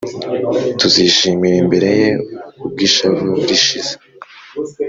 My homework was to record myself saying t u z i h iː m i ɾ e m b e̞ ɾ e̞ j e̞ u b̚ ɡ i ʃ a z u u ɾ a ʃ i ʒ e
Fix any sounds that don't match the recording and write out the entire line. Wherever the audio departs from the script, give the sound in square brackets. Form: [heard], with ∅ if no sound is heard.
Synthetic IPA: t u z i [ʃ] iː m i ɾ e m b e̞ ɾ e̞ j e̞ u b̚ ɡ i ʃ a [v] u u ɾ [i] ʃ i [z] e